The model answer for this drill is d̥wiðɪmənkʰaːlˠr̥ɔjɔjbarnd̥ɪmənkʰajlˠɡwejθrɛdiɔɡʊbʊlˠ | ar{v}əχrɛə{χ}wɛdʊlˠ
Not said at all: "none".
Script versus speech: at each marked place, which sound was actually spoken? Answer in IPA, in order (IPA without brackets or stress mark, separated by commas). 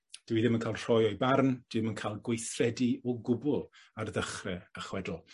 ð, χ